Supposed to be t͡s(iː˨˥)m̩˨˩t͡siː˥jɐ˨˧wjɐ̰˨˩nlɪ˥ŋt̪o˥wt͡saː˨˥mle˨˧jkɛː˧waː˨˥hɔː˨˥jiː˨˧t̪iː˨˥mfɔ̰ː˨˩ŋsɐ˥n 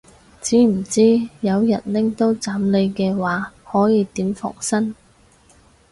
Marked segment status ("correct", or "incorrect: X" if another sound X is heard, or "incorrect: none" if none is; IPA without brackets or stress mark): correct